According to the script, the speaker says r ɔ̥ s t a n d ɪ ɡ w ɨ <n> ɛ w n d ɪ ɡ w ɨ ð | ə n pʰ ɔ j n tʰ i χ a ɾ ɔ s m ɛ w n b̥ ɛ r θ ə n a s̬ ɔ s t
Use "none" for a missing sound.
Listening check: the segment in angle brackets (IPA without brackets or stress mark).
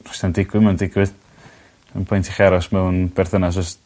m